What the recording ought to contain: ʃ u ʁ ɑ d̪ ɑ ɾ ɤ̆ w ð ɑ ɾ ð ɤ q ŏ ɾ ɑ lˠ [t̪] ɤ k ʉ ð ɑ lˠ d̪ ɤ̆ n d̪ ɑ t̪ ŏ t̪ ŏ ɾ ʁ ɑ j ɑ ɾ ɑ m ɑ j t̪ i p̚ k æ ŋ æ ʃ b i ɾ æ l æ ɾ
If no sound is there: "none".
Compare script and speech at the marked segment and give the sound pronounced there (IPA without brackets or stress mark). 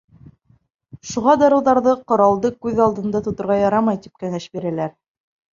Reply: d̪